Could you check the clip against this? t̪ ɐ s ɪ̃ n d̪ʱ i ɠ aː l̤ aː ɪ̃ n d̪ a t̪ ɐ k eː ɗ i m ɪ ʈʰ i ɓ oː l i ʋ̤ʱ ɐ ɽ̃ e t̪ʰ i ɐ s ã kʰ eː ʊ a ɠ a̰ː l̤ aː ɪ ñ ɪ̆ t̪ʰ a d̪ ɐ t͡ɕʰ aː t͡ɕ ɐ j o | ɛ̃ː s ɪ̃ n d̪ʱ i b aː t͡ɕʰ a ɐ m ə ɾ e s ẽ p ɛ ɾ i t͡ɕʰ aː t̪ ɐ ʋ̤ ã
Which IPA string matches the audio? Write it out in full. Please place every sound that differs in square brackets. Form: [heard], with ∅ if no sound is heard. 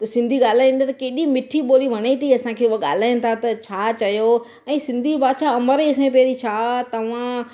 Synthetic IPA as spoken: t̪ ɐ s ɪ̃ n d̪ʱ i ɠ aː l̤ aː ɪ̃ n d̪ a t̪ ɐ k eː ɗ i m ɪ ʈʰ i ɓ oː l i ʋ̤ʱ ɐ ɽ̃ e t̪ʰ i ɐ s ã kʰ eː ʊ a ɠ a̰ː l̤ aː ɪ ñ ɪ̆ t̪ʰ a [t̪] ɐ t͡ɕʰ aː t͡ɕ ɐ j o | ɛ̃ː s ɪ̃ n d̪ʱ i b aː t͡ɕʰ a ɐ m ə ɾ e s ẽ p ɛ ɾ i t͡ɕʰ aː t̪ ɐ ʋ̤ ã